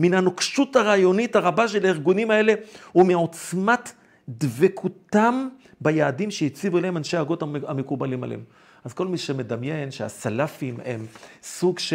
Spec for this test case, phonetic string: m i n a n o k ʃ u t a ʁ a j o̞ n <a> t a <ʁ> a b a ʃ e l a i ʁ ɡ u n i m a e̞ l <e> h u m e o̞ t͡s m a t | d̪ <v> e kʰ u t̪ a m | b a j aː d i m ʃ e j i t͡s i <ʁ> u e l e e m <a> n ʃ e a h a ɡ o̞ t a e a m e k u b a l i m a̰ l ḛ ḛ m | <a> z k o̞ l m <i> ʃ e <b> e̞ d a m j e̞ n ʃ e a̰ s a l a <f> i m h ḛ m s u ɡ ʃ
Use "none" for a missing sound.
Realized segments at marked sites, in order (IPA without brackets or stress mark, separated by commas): i, ʁ, e, v, v, a, a, i, m, f